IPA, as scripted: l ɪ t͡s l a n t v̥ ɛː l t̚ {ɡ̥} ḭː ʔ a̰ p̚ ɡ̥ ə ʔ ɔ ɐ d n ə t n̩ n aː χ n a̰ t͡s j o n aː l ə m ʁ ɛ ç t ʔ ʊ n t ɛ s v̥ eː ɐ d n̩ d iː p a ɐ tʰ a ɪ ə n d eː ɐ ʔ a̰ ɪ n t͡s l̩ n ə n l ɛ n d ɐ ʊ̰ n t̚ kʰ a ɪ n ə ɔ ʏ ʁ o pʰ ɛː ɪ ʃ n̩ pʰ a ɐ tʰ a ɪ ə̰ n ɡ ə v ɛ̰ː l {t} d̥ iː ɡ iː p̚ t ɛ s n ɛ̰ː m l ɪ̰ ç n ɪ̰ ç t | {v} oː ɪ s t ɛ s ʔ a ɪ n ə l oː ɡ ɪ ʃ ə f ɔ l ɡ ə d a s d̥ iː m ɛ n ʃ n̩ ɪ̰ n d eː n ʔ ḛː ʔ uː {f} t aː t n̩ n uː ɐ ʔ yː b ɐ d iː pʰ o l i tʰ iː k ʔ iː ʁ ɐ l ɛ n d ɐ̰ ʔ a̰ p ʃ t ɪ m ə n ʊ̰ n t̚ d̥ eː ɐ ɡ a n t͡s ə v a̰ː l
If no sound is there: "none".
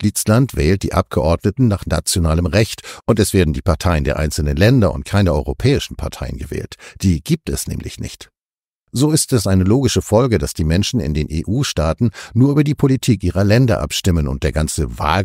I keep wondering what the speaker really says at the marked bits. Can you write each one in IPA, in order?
d̥, t, z, ʃ

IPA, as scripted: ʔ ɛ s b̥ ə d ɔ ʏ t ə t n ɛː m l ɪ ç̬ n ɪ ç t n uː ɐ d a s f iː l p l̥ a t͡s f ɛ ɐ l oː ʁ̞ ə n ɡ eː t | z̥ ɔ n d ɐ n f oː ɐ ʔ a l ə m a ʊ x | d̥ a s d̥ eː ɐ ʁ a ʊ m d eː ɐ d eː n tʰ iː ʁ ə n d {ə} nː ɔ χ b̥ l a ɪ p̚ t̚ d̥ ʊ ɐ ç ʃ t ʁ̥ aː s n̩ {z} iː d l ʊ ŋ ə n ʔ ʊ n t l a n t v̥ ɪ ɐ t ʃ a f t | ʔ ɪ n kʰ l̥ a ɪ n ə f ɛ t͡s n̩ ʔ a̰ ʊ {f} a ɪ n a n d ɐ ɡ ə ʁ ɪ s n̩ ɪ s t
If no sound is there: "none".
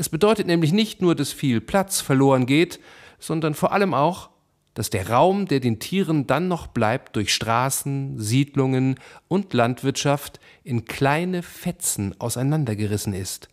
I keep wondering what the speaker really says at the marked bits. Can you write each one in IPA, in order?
a, z, s

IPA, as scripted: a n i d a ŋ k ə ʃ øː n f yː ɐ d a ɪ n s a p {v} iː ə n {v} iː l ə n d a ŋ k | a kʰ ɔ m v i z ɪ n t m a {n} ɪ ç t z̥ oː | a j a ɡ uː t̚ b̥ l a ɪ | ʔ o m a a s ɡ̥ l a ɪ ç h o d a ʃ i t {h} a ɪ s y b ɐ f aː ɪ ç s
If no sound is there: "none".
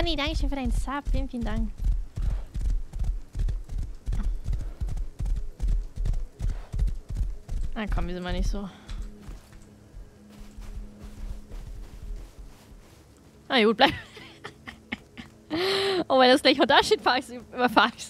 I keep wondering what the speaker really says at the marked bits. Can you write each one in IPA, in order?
f, f, n, f

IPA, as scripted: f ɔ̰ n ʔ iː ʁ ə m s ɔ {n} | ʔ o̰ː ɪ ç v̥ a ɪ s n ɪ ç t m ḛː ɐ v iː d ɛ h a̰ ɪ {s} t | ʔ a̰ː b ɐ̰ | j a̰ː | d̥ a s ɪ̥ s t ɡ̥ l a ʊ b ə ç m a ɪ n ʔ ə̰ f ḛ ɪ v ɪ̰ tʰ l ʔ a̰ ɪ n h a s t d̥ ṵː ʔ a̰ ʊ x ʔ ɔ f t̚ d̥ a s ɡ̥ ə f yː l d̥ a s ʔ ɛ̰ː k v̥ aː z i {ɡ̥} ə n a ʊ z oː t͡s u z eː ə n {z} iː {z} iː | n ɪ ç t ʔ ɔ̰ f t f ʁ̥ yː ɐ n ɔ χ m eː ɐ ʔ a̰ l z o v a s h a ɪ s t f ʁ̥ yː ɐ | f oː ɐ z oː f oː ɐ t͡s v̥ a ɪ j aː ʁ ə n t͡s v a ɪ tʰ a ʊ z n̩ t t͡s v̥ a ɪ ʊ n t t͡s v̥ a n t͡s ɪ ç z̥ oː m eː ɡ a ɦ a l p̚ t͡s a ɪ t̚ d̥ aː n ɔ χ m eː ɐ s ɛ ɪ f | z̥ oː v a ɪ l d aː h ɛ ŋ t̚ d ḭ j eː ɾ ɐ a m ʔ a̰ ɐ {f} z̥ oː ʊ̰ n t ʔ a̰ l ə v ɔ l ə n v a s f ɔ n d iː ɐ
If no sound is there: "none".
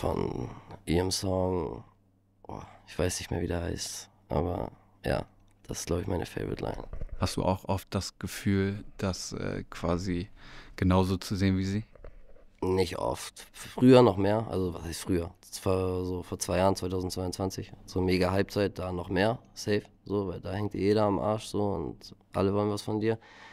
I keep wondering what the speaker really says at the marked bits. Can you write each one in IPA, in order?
ŋ, s, ɡ̥, v, z, ʃ

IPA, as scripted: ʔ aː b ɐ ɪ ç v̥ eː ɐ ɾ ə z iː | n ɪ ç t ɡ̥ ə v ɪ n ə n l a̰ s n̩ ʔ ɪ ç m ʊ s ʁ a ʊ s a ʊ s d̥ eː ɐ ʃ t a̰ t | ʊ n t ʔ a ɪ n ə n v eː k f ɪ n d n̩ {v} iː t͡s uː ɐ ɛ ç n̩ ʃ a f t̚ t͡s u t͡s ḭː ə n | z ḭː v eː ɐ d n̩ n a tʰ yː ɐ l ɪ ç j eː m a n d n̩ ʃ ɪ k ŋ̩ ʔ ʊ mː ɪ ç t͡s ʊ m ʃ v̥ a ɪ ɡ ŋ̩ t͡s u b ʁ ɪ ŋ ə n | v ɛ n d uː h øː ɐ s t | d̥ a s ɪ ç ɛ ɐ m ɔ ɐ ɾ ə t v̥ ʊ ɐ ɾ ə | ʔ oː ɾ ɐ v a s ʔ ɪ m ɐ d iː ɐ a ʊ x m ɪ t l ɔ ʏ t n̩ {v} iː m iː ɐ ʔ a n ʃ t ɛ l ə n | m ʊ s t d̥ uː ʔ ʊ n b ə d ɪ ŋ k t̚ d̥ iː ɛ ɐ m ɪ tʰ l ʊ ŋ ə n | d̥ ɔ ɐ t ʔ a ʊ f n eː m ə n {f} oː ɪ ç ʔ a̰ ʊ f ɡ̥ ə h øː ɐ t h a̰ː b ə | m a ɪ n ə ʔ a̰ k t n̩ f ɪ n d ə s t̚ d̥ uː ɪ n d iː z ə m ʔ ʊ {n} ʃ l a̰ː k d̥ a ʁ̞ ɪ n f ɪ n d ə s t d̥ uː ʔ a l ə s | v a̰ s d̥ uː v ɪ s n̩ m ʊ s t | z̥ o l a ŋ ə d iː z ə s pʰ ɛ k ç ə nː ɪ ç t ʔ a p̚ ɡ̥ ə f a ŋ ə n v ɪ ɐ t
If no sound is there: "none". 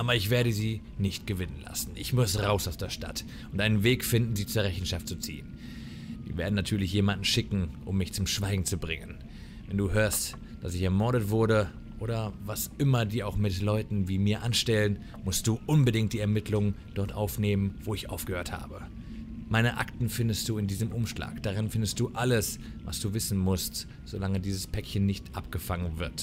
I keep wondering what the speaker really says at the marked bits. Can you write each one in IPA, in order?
z, v, v, m

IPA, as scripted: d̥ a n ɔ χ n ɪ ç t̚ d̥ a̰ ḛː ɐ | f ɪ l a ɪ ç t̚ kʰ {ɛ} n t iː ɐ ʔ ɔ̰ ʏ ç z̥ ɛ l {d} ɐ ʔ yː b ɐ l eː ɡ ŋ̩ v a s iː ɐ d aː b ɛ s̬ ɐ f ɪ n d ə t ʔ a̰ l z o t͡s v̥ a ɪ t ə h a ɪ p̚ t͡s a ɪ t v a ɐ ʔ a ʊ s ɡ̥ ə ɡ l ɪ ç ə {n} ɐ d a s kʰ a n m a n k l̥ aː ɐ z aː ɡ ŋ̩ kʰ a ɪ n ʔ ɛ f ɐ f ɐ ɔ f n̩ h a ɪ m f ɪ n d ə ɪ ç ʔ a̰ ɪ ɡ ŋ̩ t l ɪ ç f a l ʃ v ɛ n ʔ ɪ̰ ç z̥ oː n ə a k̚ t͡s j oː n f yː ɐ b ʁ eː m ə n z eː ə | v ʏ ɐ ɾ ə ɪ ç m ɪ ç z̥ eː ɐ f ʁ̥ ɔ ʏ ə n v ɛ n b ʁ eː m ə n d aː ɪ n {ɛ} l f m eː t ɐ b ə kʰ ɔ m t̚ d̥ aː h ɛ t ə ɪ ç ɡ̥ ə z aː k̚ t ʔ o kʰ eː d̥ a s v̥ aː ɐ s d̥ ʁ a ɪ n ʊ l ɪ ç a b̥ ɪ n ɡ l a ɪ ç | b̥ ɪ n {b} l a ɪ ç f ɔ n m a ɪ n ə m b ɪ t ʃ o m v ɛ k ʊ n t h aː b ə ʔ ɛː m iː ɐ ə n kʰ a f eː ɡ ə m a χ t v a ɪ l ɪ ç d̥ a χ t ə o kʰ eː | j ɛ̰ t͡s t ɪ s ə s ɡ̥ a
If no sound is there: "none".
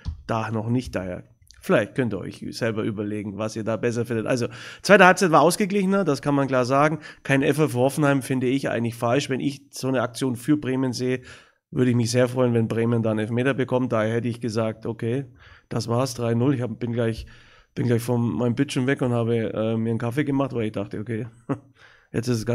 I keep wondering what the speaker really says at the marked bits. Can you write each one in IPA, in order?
œ, b, n, ɛ, ɡ

